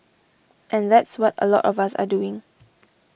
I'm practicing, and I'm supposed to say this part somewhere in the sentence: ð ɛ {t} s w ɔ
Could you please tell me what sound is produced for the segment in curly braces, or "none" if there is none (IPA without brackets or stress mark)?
t